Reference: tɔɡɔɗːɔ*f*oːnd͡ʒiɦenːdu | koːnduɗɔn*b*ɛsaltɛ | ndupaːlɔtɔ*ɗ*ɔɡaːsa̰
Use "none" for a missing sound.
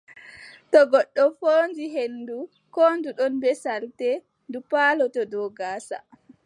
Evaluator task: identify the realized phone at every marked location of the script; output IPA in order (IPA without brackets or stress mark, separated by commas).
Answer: f, b, d